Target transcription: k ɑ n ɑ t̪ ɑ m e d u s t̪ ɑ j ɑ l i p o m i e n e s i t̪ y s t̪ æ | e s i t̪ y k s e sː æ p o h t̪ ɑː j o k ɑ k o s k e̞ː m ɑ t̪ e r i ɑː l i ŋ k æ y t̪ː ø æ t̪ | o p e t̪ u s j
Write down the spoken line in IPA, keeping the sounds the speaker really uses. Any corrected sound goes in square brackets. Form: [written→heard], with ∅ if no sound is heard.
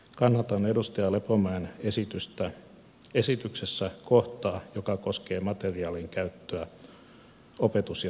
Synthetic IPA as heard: k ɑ [n→nː] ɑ t̪ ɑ [m→n] e d u s t̪ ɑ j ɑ l [i→e] p o m [i→æ] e n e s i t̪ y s t̪ æ | e s i t̪ y k s e sː æ [p→k] o h t̪ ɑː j o k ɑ k o s k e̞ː m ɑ t̪ e r i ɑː l i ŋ k æ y t̪ː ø æ [t̪→∅] | o p e t̪ u s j